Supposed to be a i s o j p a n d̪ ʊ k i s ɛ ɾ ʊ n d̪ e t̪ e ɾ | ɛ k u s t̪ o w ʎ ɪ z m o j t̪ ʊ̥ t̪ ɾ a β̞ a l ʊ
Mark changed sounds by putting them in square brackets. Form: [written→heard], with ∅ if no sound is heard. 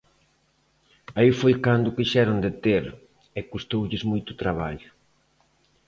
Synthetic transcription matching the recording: a i [s→f] o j [p→k] a n d̪ ʊ k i [s→ʃ] ɛ ɾ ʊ n d̪ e t̪ e ɾ | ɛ k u s t̪ o w ʎ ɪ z m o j t̪ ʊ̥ t̪ ɾ a β̞ a [l→ʎ] ʊ

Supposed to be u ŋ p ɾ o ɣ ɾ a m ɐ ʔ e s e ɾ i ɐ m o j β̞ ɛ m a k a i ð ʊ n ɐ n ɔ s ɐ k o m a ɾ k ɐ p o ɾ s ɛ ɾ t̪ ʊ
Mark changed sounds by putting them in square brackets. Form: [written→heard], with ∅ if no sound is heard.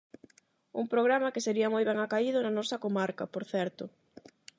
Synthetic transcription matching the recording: u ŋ p ɾ o ɣ ɾ a m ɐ [ʔ→k] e s e ɾ i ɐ m o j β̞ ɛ [m→ŋ] a k a i ð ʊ n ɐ n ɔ s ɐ k o m a ɾ k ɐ p o ɾ [s→θ] ɛ ɾ t̪ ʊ

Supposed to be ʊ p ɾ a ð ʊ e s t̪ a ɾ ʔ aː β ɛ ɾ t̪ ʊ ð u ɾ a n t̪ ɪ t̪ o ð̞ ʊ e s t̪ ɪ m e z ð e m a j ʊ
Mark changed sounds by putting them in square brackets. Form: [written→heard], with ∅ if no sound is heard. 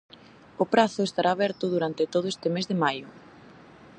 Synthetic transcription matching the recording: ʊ p ɾ a [ð→θ] ʊ e s t̪ a ɾ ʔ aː β ɛ ɾ t̪ ʊ ð u ɾ a n t̪ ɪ t̪ o ð̞ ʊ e s t̪ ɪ m e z ð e m a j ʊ

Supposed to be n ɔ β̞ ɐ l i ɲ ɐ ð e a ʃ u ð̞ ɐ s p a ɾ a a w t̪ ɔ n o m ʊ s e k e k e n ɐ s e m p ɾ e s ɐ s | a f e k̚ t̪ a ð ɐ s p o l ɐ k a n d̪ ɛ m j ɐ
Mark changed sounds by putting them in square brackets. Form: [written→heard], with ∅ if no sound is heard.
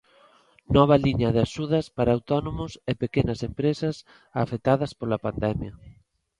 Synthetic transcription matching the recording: n ɔ β̞ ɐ l i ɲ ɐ ð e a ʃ u ð̞ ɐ s p a ɾ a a w t̪ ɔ n o m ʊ s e [k→p] e k e n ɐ s e m p ɾ e s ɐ s | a f e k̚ t̪ a ð ɐ s p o l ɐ [k→p] a n d̪ ɛ m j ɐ

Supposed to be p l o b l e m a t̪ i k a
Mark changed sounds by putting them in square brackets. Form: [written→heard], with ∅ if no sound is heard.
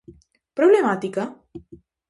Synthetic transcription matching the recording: p [l→ɾ] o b l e m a t̪ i k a

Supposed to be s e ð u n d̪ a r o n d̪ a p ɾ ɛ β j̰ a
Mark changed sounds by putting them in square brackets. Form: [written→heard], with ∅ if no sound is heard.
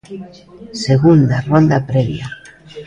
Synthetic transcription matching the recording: s e [ð→ɣ] u n d̪ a r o n d̪ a p ɾ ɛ β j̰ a

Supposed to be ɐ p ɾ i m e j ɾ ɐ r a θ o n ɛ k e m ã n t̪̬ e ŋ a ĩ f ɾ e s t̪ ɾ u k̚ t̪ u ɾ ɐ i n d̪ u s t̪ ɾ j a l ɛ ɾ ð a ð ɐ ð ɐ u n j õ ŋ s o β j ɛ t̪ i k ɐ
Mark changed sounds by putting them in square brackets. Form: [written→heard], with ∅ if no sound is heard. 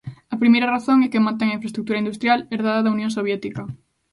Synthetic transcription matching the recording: ɐ p ɾ i m e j ɾ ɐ r a θ o [n→ŋ] ɛ k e m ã n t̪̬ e ŋ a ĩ f ɾ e s t̪ ɾ u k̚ t̪ u ɾ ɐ i n d̪ u s t̪ ɾ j a l ɛ ɾ ð a ð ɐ ð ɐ u n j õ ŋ s o β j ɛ t̪ i k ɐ

